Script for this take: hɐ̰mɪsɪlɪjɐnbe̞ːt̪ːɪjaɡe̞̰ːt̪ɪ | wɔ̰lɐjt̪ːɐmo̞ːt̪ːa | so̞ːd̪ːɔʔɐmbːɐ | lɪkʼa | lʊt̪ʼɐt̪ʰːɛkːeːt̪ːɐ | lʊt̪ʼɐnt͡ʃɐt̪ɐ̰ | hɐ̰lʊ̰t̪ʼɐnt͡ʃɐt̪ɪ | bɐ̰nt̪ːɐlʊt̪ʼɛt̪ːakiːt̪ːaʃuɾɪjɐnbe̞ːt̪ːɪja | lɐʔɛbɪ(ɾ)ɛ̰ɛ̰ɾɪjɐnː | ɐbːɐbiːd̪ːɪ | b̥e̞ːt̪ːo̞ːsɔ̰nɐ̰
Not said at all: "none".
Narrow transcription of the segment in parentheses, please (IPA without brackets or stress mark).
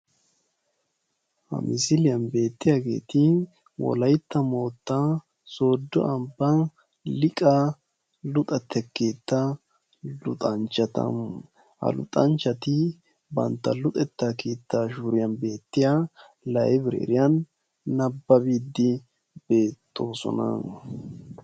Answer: ɾ